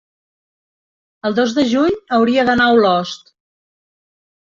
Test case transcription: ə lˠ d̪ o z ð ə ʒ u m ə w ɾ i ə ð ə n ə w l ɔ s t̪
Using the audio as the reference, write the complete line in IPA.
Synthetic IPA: ə lˠ d̪ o z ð ə ʒ u ɲ ə w ɾ i ə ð ə n a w l ɔ s t̪